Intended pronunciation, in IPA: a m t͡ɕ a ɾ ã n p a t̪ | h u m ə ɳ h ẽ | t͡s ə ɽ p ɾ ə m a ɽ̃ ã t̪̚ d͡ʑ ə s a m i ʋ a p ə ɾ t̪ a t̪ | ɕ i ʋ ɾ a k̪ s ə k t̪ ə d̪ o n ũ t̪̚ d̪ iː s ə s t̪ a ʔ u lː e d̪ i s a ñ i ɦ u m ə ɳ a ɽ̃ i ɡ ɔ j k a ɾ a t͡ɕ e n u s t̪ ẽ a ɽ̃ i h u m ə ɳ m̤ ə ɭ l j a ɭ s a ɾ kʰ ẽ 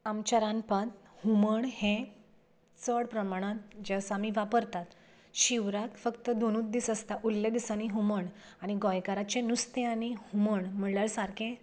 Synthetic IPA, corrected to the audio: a m t͡ɕ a ɾ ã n p a t̪ | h u m ə ɳ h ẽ | t͡s ə ɽ p ɾ ə m a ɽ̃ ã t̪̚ d͡ʑ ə s a m i ʋ a p ə ɾ t̪ a t̪ | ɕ i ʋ ɾ a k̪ f ə k t̪ ə d̪ o n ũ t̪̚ d̪ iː s ə s t̪ a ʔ u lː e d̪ i s a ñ i ɦ u m ə ɳ a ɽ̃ i ɡ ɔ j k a ɾ a t͡ɕ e n u s t̪ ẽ a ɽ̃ i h u m ə ɳ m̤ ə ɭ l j a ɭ s a ɾ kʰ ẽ